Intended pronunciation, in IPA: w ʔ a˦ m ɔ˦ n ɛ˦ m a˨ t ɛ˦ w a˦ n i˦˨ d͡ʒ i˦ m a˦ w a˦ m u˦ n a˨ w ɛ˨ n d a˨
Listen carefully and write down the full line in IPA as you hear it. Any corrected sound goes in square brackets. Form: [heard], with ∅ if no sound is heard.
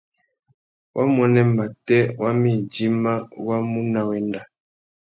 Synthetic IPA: w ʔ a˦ m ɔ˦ n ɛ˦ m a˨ t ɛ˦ w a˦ [m] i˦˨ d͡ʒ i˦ m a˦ w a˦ m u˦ n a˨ w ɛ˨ n d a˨